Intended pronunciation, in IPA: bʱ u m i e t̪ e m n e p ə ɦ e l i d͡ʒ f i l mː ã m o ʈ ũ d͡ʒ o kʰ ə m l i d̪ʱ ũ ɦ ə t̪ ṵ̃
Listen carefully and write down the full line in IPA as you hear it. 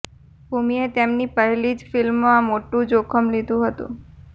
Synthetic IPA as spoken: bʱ u m i e t̪ e m n i p ə ɦ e l i d͡ʒ f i l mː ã m o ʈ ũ d͡ʒ o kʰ ə m l i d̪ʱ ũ ɦ ə t̪ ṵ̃